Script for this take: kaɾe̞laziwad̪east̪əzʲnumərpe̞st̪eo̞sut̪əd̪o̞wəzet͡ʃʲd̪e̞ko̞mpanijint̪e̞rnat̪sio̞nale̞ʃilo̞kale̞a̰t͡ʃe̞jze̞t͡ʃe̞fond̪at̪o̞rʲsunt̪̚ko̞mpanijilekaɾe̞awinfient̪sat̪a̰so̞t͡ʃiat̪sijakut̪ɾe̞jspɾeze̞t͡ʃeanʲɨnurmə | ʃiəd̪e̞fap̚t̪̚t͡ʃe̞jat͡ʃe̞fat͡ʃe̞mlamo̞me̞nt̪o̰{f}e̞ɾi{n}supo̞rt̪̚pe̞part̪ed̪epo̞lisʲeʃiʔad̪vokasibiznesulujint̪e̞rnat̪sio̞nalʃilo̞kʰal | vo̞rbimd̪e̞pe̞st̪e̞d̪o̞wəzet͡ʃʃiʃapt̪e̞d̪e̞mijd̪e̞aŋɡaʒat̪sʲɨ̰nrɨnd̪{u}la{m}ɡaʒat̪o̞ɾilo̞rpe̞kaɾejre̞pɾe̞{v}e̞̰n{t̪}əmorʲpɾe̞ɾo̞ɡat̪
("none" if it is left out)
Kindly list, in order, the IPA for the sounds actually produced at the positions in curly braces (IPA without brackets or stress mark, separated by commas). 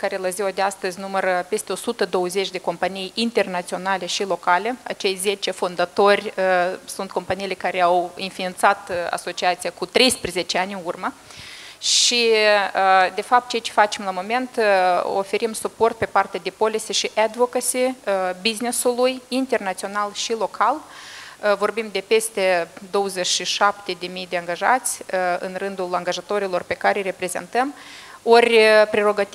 f, m, u, ŋ, z, t̪